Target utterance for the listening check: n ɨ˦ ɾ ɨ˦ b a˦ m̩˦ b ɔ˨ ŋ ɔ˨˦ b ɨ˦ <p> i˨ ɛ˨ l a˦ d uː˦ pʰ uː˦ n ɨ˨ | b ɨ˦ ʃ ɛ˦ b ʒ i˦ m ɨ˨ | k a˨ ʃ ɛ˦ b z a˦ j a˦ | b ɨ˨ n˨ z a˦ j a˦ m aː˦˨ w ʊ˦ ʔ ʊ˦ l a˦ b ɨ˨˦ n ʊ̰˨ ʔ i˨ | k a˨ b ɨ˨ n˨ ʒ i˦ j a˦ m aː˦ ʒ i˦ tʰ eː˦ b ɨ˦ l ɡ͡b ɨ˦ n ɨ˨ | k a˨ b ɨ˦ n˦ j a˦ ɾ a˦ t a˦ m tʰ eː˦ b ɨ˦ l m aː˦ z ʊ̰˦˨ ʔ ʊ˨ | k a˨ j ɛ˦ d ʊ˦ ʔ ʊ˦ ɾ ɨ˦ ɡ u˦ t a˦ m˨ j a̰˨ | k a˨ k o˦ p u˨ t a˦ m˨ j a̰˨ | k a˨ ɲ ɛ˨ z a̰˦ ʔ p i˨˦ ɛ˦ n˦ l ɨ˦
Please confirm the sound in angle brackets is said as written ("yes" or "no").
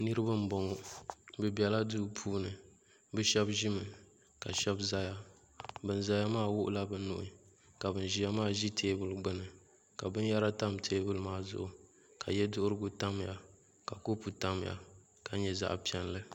no